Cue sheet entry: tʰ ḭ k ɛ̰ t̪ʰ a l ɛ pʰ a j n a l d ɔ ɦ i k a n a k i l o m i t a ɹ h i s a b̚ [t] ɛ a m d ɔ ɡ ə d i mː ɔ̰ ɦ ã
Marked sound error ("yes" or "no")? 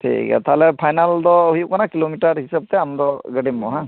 no